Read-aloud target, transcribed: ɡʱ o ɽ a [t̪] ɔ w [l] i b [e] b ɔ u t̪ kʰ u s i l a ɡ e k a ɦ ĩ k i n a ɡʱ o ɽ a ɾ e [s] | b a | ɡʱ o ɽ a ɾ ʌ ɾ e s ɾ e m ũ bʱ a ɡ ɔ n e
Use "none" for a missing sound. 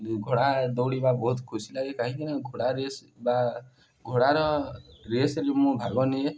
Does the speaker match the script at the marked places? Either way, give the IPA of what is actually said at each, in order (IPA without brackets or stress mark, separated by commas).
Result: d̪, ɽ, a, s